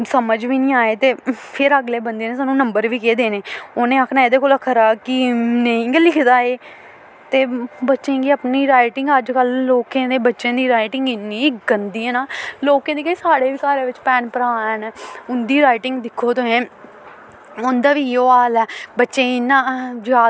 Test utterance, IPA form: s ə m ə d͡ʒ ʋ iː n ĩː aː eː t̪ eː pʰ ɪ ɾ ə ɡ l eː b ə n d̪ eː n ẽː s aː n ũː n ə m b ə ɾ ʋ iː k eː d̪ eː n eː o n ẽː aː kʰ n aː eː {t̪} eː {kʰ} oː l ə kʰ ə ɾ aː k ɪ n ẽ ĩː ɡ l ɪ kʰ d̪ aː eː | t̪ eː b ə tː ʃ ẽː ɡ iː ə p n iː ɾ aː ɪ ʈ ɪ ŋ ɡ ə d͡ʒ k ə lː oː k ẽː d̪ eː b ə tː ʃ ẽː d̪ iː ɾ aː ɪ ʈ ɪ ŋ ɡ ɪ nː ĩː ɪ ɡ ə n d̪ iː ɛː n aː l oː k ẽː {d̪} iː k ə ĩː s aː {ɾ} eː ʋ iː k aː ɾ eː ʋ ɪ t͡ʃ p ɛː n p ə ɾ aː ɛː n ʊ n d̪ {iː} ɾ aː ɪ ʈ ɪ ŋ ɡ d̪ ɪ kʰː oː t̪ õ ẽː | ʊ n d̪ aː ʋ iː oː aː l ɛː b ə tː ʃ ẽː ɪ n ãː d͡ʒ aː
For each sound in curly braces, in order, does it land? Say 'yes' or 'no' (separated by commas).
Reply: no, no, yes, no, yes